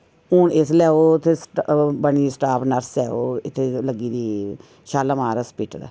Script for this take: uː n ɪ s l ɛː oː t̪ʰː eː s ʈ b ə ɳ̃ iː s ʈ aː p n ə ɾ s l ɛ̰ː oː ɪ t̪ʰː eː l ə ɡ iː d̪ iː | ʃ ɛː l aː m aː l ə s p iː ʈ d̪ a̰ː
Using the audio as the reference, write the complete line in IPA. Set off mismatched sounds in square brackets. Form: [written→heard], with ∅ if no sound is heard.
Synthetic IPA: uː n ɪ s l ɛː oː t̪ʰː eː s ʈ b ə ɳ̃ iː s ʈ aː p n ə ɾ s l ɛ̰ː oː ɪ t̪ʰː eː l ə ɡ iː d̪ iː | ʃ [ɛː→aː] l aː m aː [l→ɾ] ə s p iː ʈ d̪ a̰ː